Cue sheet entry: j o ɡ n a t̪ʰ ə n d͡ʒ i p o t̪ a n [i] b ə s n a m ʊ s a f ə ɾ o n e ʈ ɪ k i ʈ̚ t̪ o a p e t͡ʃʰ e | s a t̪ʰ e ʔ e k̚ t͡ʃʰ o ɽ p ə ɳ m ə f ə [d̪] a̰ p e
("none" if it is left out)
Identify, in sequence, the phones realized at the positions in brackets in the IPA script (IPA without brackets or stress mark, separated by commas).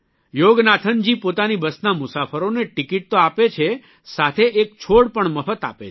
i, t̪